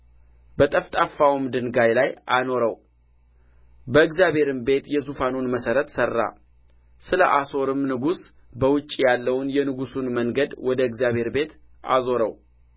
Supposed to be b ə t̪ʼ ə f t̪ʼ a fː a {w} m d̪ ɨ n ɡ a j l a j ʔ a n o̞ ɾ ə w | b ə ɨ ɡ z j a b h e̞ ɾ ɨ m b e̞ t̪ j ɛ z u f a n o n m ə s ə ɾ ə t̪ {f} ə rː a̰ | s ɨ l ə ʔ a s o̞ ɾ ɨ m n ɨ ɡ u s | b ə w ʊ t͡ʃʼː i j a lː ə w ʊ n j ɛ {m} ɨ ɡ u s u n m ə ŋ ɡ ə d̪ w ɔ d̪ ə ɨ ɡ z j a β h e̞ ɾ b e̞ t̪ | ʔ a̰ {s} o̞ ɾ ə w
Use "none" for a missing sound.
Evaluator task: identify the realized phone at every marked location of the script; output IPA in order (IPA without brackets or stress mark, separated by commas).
w, s, n, z